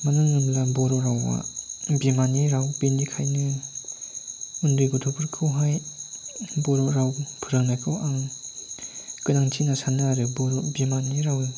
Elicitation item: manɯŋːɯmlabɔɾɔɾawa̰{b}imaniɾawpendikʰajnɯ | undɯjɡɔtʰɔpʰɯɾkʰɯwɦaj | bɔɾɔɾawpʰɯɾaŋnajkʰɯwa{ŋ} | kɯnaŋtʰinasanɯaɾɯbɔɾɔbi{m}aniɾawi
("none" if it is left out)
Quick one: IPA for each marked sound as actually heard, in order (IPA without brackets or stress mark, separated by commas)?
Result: b, ŋ, m